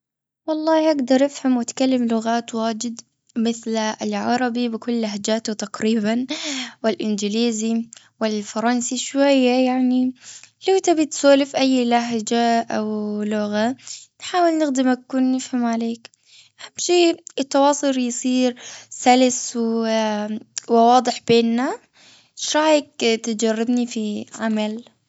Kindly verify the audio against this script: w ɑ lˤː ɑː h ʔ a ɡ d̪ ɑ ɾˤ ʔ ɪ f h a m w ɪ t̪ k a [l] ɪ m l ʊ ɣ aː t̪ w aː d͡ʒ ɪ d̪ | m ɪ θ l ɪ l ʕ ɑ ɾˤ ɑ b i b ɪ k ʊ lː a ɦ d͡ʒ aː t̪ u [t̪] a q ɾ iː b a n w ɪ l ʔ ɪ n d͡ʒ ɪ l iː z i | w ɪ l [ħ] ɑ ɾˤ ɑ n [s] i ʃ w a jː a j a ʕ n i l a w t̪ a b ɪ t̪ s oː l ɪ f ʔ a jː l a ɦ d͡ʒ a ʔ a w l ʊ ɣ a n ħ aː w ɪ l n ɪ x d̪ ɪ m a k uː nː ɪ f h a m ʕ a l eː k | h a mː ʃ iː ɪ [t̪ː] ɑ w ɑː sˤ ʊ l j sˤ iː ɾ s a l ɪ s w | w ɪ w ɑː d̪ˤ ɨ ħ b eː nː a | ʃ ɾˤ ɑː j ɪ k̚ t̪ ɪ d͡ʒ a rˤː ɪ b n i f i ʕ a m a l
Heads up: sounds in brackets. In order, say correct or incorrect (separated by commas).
incorrect, correct, incorrect, correct, correct